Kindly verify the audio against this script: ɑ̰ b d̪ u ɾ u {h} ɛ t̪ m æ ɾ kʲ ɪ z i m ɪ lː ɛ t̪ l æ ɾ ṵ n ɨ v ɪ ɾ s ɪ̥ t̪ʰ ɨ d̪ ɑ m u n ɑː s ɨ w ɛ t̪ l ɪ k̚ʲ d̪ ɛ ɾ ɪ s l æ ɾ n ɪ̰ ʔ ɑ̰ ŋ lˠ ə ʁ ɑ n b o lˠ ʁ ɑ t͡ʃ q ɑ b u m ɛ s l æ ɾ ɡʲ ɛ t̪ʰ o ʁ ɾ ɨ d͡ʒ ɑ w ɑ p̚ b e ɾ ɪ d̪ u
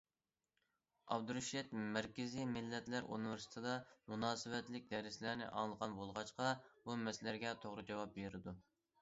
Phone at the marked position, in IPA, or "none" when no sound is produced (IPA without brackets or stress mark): ʃ